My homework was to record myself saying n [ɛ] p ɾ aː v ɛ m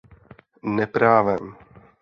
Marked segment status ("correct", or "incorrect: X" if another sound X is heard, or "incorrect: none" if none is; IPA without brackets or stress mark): correct